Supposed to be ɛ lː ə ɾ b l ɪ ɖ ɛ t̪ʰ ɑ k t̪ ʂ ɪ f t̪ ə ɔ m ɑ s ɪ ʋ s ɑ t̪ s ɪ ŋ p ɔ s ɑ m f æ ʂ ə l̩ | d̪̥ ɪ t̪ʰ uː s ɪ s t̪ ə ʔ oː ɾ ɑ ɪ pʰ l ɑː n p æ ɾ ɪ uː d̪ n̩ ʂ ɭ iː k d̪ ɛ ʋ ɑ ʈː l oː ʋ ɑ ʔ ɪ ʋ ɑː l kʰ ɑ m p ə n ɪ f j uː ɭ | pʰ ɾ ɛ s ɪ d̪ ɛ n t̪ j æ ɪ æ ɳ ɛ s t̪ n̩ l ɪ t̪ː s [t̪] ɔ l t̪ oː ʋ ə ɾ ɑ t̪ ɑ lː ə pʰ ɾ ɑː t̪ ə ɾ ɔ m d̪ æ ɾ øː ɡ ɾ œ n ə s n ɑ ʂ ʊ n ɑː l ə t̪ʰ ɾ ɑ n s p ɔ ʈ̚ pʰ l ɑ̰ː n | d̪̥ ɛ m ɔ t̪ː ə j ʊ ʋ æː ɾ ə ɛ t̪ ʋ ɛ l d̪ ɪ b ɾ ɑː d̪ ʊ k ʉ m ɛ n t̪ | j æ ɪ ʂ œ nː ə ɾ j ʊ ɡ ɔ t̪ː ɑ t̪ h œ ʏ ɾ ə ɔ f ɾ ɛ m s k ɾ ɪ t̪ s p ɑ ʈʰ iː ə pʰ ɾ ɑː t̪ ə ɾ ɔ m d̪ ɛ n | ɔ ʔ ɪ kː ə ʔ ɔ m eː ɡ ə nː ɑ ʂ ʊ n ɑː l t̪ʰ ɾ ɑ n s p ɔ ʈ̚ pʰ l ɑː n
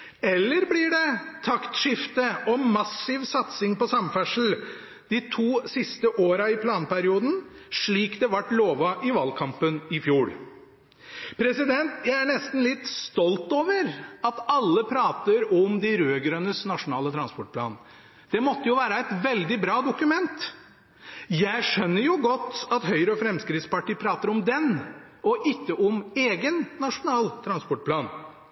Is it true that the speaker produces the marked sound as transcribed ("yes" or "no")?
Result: yes